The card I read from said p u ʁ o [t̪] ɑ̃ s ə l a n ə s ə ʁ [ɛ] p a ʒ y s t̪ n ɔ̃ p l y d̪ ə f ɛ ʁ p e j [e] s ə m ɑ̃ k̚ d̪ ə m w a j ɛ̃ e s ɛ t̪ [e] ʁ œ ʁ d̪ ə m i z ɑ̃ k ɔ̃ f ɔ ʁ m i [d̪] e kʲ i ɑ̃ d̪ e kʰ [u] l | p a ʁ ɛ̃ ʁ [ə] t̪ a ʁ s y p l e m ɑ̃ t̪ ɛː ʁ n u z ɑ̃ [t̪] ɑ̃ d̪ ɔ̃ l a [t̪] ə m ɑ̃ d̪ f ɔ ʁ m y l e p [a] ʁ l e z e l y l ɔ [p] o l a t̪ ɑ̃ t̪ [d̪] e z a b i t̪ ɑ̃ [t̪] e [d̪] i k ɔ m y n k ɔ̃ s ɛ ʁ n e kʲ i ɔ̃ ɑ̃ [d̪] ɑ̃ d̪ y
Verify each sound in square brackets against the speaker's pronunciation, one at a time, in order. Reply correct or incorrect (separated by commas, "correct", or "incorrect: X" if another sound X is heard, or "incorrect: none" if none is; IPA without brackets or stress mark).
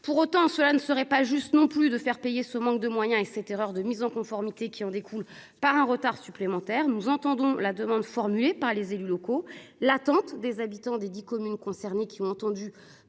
correct, correct, correct, correct, incorrect: t̪, correct, correct, correct, incorrect: d̪, correct, incorrect: k, correct, incorrect: d̪, correct, incorrect: t̪